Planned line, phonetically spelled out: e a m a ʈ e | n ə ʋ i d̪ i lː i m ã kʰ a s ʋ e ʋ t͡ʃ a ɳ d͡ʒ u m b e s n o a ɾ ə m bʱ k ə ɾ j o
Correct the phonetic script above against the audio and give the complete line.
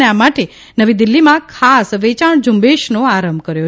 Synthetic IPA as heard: e a m a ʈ e | n ə ʋ i d̪ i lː i m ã kʰ a s ʋ e t͡ʃ a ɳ d͡ʒ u m b e ʃ n o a ɾ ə m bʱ k ə ɾ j o